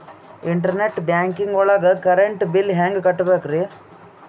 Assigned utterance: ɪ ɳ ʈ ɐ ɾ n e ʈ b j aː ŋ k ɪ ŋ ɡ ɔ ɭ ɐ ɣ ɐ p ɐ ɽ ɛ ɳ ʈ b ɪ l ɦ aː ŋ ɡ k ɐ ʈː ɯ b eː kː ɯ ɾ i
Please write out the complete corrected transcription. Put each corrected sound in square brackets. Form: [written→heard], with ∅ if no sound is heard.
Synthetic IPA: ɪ ɳ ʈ ɐ ɾ n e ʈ b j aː ŋ k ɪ ŋ ɡ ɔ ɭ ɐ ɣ ɐ [p→k] ɐ [ɽ→ɾ] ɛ ɳ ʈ b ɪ l ɦ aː ŋ ɡ k ɐ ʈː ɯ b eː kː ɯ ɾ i